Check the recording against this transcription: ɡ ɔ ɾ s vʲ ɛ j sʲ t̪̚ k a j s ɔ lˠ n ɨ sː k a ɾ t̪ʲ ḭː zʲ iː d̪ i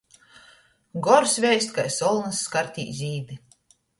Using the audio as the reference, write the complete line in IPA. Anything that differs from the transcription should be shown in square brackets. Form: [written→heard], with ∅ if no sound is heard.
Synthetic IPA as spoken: ɡ ɔ ɾ s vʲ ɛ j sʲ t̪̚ k a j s ɔ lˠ n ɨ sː k a ɾ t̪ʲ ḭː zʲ iː d̪ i

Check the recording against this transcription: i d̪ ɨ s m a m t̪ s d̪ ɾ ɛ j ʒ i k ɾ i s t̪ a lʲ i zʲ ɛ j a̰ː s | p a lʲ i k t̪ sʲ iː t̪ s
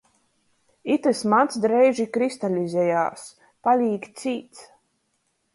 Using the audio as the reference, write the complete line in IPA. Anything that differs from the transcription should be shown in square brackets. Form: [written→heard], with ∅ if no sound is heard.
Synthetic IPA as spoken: i [d̪→t̪] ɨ s m a [m→n] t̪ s d̪ ɾ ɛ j ʒ i k ɾ i s t̪ a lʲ i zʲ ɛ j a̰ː s | p a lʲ [i→iː] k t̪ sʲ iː t̪ s

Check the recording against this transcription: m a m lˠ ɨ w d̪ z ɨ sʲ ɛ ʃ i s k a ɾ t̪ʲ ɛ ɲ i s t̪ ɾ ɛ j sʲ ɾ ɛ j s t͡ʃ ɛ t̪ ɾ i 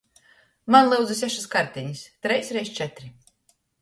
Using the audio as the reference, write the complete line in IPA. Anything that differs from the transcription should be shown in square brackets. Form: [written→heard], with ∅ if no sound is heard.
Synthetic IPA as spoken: m a [m→n] lˠ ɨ w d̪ z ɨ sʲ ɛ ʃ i s k a ɾ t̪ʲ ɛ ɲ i s t̪ ɾ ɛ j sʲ ɾ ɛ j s t͡ʃ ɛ t̪ ɾ i

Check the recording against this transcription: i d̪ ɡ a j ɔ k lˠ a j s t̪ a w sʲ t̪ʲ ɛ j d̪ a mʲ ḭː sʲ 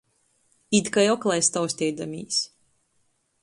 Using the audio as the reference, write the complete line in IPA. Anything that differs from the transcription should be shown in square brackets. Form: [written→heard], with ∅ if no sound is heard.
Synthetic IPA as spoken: i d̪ [ɡ→k] a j ɔ k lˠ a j s t̪ a w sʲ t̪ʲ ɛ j d̪ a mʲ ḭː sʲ

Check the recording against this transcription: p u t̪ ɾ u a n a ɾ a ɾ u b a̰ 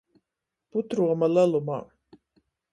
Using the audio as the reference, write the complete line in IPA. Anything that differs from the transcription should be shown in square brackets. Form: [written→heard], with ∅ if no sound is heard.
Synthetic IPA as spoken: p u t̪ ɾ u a [n→m] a [ɾ→l] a [ɾ→l] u [b→m] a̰

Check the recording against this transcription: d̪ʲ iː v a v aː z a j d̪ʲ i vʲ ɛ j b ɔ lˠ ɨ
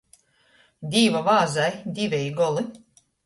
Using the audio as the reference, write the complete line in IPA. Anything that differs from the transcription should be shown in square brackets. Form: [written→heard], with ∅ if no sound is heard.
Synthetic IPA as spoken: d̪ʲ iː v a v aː z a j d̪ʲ i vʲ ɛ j [b→ɡ] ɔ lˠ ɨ

